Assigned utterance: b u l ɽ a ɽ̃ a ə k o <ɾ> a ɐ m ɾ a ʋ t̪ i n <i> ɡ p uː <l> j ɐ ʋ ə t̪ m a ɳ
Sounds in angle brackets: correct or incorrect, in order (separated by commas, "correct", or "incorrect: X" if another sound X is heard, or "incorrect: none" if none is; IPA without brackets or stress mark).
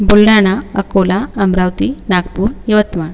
incorrect: l, incorrect: a, incorrect: ɾ